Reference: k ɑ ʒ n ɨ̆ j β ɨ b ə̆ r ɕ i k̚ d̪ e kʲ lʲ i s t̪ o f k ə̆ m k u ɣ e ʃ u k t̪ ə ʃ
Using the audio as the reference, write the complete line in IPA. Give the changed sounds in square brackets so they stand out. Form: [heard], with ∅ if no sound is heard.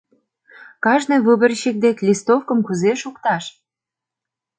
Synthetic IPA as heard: k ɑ ʒ n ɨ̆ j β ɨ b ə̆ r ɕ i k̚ d̪ e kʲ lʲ i s t̪ o f k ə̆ m k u [z] e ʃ u k t̪ [ɑ] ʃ